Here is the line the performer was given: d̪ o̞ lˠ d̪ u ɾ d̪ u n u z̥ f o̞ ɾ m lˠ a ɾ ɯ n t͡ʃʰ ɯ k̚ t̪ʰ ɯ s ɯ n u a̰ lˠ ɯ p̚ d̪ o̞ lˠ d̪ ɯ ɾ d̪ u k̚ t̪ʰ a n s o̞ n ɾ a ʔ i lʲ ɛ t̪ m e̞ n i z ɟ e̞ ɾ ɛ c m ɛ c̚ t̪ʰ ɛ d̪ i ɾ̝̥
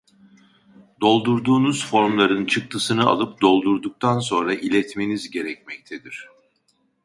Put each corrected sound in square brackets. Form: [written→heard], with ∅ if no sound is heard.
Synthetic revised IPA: d̪ o̞ lˠ d̪ u ɾ d̪ [u→uː] n u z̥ f o̞ ɾ m lˠ a ɾ ɯ n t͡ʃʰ ɯ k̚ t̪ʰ ɯ s ɯ n [u→ɯ] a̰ lˠ ɯ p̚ d̪ o̞ lˠ d̪ [ɯ→u] ɾ d̪ u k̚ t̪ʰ a n s o̞ n ɾ a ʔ i lʲ ɛ t̪ m e̞ n i z ɟ e̞ ɾ ɛ c m ɛ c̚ t̪ʰ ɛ d̪ i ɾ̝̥

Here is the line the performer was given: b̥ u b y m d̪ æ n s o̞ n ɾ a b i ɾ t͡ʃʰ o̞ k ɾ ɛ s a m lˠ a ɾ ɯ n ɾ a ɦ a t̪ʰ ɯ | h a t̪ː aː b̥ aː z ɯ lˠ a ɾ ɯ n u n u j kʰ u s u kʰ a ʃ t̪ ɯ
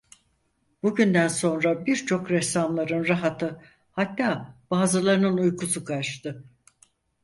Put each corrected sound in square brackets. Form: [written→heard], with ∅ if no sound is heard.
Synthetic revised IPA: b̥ u [b→ɟ] y [m→n] d̪ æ n s o̞ n ɾ a b i ɾ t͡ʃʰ o̞ k ɾ ɛ s a m lˠ a ɾ ɯ n ɾ a ɦ a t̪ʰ ɯ | h a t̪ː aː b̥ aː z ɯ lˠ a ɾ ɯ n [u→ɯ] n u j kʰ u s u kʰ a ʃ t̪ ɯ

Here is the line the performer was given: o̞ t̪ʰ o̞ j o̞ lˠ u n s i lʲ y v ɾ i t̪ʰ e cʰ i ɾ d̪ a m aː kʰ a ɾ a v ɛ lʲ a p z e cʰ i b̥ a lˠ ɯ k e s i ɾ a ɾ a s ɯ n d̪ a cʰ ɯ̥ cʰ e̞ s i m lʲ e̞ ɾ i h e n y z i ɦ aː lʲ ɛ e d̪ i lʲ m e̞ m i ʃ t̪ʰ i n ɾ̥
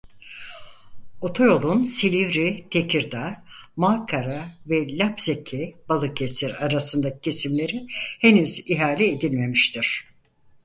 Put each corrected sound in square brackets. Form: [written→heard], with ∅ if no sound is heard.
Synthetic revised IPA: o̞ t̪ʰ o̞ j o̞ lˠ u n s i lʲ [y→i] v ɾ i t̪ʰ e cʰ i ɾ d̪ a m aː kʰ a ɾ a v ɛ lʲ a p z e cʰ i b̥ a lˠ ɯ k e s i ɾ a ɾ a s ɯ n d̪ a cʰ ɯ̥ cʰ e̞ s i m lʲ e̞ ɾ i h e n y z i ɦ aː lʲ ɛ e d̪ i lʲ m e̞ m i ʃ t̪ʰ i [n→∅] ɾ̥

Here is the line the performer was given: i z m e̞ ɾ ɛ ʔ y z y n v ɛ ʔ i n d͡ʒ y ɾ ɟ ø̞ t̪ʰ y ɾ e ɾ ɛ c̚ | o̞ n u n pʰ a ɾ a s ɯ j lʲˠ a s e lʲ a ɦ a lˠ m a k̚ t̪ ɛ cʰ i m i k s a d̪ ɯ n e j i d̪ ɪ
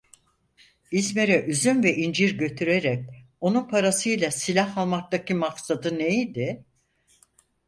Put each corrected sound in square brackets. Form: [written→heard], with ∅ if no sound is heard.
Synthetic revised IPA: i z m e̞ ɾ ɛ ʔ y z y n v ɛ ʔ i n d͡ʒ [y→i] ɾ ɟ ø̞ t̪ʰ y ɾ e ɾ ɛ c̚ | o̞ n u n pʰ a ɾ a s ɯ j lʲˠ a s [e→i] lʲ a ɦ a lˠ m a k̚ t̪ [ɛ→a] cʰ i m [i→a] k s a d̪ ɯ n e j i d̪ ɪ

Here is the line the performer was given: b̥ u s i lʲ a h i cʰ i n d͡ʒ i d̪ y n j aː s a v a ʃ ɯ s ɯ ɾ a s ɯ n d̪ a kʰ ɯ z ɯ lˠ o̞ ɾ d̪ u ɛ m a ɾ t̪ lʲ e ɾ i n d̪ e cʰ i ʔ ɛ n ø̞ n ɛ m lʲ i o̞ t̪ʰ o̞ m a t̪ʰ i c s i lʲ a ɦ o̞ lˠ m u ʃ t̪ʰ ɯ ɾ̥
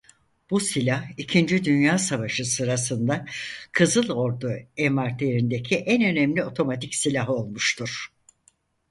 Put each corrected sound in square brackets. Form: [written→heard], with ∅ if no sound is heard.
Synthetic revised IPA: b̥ u s i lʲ a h i cʰ i n d͡ʒ i d̪ y n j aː s a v a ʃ ɯ s ɯ ɾ a s ɯ n d̪ a kʰ ɯ z ɯ lˠ o̞ ɾ d̪ u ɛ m a ɾ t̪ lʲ e ɾ i n d̪ e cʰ i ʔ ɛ n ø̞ n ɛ m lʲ i o̞ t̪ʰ o̞ m a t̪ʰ i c s i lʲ a ɦ o̞ lˠ m u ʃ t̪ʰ [ɯ→u] ɾ̥

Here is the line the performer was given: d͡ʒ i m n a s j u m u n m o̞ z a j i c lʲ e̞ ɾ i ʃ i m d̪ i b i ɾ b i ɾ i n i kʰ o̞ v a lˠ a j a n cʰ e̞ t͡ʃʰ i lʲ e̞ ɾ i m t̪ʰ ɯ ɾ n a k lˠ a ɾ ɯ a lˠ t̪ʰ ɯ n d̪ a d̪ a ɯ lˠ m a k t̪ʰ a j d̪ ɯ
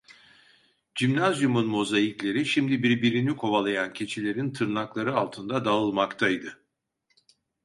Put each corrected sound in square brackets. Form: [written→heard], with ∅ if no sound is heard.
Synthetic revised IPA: d͡ʒ i m n a [s→z] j u m u n m o̞ z a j i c lʲ e̞ ɾ i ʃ i m d̪ i b i ɾ b i ɾ i n i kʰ o̞ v a lˠ a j a n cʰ e̞ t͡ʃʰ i lʲ e̞ ɾ i [m→n] t̪ʰ ɯ ɾ n a k lˠ a ɾ ɯ a lˠ t̪ʰ ɯ n d̪ a d̪ a ɯ lˠ m a k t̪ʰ a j d̪ ɯ

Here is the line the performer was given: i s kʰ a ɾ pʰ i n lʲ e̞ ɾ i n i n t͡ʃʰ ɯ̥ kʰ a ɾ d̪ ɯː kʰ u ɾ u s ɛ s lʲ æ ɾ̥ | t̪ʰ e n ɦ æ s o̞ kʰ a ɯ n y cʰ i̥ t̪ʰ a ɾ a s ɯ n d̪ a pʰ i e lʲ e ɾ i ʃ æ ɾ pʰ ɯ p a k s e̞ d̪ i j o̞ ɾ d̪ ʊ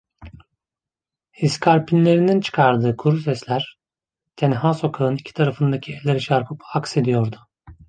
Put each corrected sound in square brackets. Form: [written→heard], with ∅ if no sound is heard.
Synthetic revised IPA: i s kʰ a ɾ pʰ i n lʲ e̞ ɾ i n i n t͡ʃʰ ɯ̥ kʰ a ɾ d̪ ɯː kʰ u ɾ u s ɛ s lʲ æ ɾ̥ | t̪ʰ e n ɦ [æ→a] s o̞ kʰ a ɯ n [y→i] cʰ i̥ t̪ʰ a ɾ a [s→f] ɯ n d̪ a [pʰ→cʰ] i e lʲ e ɾ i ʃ [æ→a] ɾ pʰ ɯ p a k s e̞ d̪ i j o̞ ɾ d̪ ʊ

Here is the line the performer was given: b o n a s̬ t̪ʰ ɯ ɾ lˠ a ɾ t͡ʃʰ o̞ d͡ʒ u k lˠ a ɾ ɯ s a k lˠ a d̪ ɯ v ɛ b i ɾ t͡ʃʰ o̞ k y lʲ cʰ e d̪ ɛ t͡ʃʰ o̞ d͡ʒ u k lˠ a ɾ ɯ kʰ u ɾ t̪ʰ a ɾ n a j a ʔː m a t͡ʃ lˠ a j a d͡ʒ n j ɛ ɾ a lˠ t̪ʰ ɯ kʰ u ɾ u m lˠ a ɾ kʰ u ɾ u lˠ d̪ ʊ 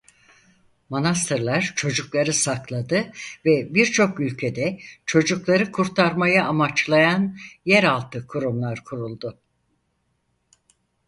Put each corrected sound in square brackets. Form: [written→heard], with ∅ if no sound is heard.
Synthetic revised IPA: [b→m] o n a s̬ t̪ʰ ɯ ɾ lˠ a ɾ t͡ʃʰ o̞ d͡ʒ u k lˠ a ɾ ɯ s a k lˠ a d̪ ɯ v ɛ b i ɾ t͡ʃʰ o̞ k y lʲ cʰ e d̪ ɛ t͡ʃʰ o̞ d͡ʒ u k lˠ a ɾ ɯ kʰ u ɾ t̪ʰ a ɾ [n→m] a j a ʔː m a t͡ʃ lˠ a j a [d͡ʒ→∅] n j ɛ ɾ a lˠ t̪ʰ ɯ kʰ u ɾ u m lˠ a ɾ kʰ u ɾ u lˠ d̪ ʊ

